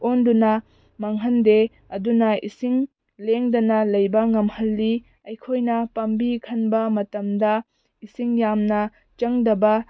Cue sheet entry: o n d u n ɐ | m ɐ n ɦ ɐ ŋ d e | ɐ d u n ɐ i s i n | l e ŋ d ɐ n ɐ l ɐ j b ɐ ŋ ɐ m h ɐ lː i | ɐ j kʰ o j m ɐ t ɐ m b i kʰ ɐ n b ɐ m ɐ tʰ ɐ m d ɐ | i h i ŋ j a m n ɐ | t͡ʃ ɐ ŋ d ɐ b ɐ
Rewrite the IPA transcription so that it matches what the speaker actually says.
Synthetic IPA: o n d u n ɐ | m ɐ ŋ ɦ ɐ n d e | ɐ d u n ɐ i s i ŋ | l e ŋ d ɐ n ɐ l ɐ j b ɐ ŋ ɐ m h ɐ lː i | ɐ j kʰ o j n ɐ p ɐ m b i kʰ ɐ n b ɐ m ɐ t ɐ m d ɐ | i s i ŋ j a m n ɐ | t͡ʃ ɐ ŋ d ɐ b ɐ